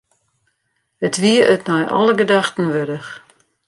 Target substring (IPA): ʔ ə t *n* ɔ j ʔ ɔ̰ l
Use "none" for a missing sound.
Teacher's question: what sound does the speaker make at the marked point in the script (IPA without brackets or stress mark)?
n